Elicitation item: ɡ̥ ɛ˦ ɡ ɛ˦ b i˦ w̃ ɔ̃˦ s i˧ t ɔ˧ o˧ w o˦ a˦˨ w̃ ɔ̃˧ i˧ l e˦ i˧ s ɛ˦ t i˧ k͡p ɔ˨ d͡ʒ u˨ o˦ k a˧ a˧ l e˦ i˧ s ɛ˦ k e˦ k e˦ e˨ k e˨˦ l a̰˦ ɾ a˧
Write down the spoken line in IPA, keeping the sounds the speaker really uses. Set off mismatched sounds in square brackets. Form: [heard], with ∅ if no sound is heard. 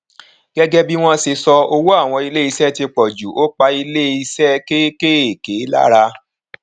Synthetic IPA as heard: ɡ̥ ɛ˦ ɡ ɛ˦ b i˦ w̃ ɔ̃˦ s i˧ [s] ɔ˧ o˧ w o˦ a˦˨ w̃ ɔ̃˧ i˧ l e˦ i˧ s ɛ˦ t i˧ k͡p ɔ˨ d͡ʒ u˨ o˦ [k͡p] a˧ [i˧] l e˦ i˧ s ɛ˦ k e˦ k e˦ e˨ k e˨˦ l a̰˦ ɾ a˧